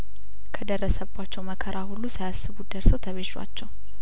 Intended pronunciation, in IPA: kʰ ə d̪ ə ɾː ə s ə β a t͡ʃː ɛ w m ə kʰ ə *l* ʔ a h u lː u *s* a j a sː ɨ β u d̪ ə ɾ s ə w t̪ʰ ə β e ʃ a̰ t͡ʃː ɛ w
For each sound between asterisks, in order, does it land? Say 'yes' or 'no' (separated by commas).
no, yes